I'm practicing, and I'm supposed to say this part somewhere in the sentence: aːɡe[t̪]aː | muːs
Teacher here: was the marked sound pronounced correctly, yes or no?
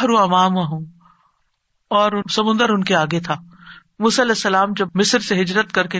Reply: no